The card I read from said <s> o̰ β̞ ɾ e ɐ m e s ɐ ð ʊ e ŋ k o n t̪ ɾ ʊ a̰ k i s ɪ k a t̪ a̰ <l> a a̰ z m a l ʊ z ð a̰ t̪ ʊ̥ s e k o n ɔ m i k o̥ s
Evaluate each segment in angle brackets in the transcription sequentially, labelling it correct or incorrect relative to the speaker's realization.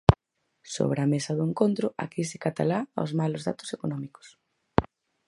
correct, correct

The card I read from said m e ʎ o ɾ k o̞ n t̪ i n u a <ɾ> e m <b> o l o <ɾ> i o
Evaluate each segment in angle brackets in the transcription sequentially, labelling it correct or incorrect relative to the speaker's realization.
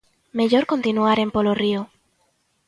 correct, incorrect: p, incorrect: r

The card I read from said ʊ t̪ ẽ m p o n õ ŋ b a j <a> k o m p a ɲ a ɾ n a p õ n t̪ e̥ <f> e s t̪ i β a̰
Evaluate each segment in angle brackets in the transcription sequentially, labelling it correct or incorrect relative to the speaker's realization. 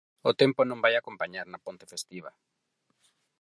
correct, correct

